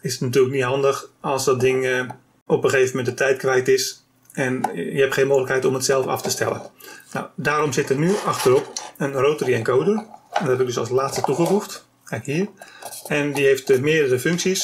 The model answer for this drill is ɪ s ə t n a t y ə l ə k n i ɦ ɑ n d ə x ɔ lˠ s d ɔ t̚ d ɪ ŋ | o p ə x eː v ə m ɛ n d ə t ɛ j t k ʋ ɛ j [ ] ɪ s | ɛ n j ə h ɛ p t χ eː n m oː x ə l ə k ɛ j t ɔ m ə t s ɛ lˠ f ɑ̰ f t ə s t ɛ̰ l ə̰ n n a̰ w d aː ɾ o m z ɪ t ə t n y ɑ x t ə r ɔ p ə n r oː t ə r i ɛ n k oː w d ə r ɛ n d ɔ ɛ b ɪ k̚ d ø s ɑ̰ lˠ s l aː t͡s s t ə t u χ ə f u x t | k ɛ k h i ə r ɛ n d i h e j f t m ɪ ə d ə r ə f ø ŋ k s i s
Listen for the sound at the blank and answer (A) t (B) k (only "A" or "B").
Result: A